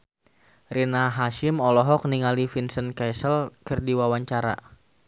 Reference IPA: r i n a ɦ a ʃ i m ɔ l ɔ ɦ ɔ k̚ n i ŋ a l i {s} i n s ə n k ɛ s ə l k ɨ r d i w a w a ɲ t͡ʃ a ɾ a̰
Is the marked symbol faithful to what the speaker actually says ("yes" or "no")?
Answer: no